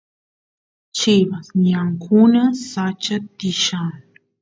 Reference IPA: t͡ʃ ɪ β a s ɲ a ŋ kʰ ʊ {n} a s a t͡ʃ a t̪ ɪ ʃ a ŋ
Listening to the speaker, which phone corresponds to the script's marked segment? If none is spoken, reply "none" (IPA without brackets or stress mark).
n